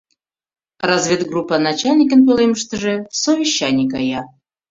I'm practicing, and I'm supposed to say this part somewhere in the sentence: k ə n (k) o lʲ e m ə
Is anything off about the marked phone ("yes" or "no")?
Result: yes